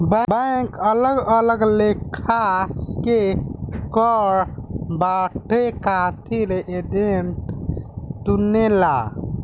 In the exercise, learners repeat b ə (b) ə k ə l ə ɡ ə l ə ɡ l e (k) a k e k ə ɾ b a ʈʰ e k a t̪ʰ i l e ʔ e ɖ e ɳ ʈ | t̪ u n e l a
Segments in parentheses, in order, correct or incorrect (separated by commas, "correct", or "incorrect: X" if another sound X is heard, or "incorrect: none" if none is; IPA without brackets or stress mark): correct, incorrect: kʰ